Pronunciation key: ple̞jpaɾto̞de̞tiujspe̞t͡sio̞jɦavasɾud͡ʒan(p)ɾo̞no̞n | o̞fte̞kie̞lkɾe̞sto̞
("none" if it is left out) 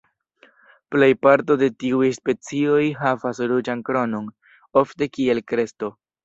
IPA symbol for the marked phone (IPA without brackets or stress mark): k